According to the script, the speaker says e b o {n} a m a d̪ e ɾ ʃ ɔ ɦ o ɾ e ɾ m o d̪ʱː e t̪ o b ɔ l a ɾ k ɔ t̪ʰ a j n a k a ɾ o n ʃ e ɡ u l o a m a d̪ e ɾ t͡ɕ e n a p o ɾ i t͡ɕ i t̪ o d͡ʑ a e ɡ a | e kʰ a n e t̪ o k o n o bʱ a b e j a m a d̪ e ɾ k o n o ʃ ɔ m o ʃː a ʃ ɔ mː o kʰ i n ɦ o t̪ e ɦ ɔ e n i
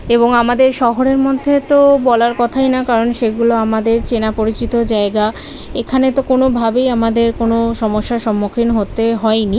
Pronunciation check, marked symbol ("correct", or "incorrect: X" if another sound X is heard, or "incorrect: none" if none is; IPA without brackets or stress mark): incorrect: ŋ